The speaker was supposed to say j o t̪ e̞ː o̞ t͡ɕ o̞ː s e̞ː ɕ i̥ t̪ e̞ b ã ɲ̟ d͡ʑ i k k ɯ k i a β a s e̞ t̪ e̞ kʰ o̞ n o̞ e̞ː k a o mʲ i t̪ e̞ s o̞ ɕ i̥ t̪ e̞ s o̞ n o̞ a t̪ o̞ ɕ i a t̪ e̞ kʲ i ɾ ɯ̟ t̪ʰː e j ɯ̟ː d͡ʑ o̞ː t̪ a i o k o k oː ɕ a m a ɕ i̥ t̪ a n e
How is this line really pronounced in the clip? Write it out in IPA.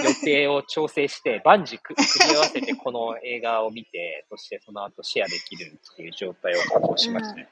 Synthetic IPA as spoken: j o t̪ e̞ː o̞ t͡ɕ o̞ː s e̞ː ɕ i̥ t̪ e̞ b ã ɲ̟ d͡ʑ i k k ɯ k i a β a s e̞ t̪ e̞ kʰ o̞ n o̞ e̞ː ɡ a o mʲ i t̪ e̞ s o̞ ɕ i̥ t̪ e̞ s o̞ n o̞ a t̪ o̞ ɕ i a d̪ e̞ kʲ i ɾ ɯ̟ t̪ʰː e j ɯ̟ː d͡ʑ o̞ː t̪ a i o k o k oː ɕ i m a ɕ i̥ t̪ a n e